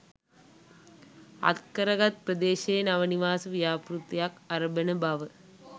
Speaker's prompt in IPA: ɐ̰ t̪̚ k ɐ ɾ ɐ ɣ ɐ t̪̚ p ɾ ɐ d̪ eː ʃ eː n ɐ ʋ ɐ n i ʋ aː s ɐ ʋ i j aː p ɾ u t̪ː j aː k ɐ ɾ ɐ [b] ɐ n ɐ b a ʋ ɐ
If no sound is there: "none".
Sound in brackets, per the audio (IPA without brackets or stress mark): b